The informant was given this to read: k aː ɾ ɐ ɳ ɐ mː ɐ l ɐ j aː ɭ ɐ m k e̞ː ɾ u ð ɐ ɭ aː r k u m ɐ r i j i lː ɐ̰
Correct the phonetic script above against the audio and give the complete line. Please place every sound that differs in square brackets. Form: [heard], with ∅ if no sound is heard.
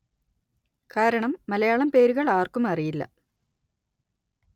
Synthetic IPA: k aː ɾ ɐ ɳ ɐ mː ɐ l ɐ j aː ɭ ɐ m [p] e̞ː ɾ u [ɣ] ɐ ɭ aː r k u m ɐ r i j i lː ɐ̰